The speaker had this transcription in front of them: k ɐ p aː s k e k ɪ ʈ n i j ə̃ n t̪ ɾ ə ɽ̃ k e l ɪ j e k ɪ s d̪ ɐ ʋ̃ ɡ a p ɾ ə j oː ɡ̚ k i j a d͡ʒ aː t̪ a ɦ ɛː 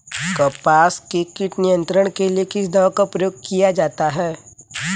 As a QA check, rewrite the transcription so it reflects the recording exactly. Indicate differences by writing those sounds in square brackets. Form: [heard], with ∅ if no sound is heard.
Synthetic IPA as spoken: k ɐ p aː s k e k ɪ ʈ n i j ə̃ n t̪ ɾ ə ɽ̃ k e l [i] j e k ɪ s d̪ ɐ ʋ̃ [k] a p ɾ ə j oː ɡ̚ k i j a d͡ʒ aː t̪ a ɦ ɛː